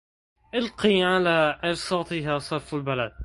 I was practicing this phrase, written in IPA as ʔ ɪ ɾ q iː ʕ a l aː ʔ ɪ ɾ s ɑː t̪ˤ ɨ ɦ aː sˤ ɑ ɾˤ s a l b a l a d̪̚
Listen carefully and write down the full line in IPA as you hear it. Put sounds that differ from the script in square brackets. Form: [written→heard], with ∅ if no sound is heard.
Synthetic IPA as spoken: ʔ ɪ [ɾ→l] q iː ʕ a l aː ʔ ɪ ɾ s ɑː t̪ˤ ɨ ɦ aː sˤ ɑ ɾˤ [s→f] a l b a l a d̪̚